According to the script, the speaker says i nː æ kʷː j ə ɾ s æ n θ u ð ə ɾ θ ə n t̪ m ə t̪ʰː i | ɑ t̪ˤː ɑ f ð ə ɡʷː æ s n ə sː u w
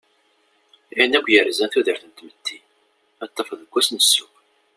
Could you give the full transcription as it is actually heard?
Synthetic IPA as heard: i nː æ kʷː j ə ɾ z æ n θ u ð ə ɾ θ ə n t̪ m ə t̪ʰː i | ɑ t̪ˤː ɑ f ð ə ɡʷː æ s n ə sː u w